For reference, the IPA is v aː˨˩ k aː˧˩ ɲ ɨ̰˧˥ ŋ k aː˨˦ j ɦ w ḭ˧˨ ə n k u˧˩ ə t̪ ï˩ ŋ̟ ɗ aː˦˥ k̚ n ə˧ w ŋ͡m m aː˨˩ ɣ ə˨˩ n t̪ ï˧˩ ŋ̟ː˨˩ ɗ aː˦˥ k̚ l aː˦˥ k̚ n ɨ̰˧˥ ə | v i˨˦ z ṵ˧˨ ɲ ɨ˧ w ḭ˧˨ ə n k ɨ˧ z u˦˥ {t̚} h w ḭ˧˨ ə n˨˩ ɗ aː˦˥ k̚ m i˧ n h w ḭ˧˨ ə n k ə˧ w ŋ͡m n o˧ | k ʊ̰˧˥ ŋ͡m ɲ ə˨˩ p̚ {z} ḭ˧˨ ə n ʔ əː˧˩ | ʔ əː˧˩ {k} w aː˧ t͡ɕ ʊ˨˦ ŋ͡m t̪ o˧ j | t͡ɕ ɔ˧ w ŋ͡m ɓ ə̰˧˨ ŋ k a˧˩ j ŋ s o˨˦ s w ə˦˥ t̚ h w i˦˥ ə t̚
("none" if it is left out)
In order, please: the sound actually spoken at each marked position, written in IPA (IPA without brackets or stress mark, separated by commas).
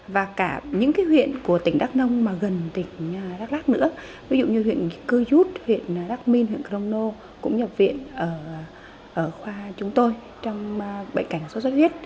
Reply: t̚, v, x